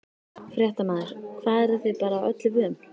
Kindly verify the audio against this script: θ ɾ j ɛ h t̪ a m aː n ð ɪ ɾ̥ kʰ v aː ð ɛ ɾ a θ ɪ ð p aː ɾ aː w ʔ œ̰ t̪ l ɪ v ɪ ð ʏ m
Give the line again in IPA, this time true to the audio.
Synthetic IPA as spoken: f ɾ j ɛ h t̪ a m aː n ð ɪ ɾ̥ kʰ v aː ð ɛ ɾ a θ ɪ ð p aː ɾ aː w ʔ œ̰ t̪ l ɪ v ɪ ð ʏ m